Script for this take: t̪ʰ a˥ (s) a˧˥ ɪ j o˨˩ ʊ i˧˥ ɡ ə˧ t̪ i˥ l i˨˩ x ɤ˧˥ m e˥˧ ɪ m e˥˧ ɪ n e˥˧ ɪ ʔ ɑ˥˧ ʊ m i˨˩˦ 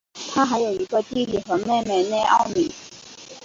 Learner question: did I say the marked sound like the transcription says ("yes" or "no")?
no